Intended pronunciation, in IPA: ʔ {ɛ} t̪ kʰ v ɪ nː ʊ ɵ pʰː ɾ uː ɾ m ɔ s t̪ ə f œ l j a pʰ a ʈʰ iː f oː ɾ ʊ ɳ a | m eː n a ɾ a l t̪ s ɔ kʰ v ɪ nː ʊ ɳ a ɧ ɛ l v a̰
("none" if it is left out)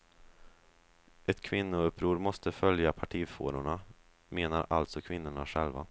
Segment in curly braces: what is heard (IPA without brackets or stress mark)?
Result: ɛ